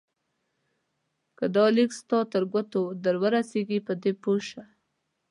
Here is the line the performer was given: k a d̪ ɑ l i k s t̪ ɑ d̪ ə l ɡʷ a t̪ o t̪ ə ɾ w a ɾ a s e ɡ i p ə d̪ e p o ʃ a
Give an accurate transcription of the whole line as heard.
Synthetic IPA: k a d̪ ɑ l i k s t̪ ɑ t̪ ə ɾ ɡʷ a t̪ o d̪ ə ɾ w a ɾ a s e ɡ i p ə d̪ e p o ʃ a